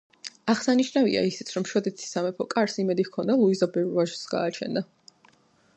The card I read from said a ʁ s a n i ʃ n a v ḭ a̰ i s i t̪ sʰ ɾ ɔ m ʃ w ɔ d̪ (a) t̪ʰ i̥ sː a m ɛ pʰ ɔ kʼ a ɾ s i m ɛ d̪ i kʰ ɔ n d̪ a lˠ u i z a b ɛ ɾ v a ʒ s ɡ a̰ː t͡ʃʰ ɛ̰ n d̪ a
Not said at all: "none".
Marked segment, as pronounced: ɛ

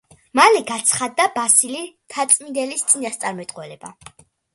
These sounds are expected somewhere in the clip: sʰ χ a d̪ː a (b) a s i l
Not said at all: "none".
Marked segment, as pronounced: b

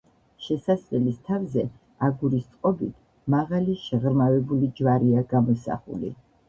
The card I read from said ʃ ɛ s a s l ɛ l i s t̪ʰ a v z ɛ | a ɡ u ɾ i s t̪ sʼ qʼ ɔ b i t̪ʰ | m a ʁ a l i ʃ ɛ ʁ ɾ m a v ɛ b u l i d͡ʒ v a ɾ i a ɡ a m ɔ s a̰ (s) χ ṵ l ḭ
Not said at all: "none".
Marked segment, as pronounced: none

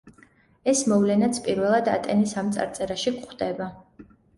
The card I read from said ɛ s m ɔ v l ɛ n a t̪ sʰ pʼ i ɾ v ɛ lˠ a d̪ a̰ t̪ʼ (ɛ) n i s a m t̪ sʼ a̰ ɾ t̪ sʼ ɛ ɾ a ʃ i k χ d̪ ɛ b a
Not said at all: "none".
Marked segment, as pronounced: ɛ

